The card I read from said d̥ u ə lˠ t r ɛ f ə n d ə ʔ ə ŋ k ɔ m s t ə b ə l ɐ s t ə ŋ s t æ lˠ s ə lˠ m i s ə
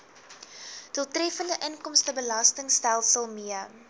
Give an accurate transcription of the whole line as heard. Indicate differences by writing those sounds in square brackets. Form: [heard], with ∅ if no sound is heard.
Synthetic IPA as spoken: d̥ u ə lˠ t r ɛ f ə n d ə ʔ ə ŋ k ɔ m s t ə b ə l ɐ s t ə ŋ s t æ lˠ s ə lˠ m i [∅] ə